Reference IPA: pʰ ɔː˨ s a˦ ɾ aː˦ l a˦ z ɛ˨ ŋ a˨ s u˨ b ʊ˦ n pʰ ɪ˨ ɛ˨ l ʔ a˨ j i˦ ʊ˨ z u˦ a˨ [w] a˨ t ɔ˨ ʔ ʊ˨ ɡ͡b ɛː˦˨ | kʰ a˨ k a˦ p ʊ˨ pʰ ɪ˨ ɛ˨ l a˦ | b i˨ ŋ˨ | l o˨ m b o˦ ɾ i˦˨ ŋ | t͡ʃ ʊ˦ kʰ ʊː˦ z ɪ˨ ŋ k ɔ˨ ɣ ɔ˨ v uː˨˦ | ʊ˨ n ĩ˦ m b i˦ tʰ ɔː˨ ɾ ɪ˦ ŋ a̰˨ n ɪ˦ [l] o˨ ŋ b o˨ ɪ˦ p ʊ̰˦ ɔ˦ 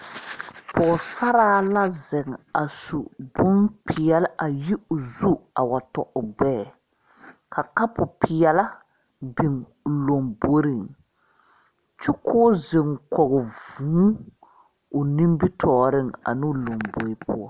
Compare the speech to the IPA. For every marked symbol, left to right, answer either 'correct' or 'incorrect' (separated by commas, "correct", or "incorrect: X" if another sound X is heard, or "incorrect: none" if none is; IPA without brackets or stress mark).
correct, correct